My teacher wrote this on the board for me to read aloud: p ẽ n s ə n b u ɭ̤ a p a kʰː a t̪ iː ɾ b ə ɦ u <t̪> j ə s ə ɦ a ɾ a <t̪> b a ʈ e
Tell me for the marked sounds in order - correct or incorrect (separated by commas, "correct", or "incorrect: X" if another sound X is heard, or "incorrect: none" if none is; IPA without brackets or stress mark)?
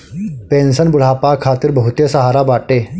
correct, incorrect: none